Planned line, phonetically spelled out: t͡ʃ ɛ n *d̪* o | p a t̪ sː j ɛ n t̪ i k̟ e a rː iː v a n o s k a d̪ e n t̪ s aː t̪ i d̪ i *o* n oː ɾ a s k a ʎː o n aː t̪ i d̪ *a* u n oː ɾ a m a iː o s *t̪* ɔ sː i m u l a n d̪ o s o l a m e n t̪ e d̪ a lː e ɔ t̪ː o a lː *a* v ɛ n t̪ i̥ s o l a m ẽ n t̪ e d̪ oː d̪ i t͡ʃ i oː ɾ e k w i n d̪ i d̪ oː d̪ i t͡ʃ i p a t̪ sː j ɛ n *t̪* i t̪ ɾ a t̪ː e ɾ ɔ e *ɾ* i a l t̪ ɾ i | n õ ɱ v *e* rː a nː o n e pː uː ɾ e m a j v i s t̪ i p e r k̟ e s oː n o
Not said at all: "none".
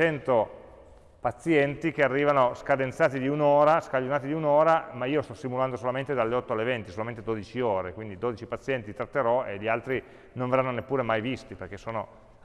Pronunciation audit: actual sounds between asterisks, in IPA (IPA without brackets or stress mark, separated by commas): t̪, u, i, t̪, e, t̪, ʎ, e